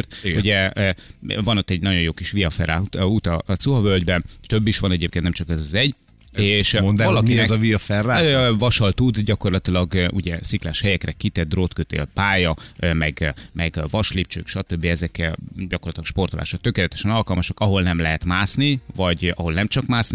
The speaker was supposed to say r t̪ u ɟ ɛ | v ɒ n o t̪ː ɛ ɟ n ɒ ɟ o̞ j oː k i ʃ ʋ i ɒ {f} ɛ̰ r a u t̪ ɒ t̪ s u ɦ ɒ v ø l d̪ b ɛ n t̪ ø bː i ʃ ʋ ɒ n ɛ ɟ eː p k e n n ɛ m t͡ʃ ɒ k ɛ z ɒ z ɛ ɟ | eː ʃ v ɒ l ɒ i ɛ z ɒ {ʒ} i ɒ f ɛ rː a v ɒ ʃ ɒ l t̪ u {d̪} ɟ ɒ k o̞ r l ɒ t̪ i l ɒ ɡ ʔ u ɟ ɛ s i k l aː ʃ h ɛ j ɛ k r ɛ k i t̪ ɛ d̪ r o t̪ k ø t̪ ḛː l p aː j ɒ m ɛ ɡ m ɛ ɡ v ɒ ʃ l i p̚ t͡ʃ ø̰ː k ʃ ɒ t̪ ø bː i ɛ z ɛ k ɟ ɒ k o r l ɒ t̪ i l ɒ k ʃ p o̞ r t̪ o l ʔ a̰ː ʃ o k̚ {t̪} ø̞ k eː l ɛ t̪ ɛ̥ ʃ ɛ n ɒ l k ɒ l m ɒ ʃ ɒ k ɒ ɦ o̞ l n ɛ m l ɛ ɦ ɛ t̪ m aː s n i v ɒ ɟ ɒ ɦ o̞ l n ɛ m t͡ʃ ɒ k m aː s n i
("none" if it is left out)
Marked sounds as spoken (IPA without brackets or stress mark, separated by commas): f, v, d̪, t̪